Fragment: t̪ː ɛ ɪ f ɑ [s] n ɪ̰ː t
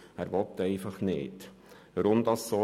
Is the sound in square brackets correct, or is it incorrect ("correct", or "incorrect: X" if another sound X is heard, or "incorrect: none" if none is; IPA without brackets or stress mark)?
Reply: incorrect: χ